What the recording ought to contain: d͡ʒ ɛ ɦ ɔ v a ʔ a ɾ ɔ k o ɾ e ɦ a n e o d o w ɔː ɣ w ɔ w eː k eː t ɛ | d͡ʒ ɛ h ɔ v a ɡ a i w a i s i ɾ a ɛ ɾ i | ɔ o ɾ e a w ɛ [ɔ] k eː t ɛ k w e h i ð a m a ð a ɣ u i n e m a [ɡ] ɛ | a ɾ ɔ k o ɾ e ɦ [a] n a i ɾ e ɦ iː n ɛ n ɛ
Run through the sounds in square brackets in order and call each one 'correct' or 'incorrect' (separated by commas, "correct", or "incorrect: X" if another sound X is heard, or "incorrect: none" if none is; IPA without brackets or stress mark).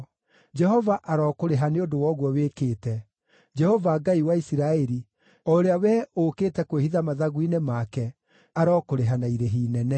incorrect: o, incorrect: k, correct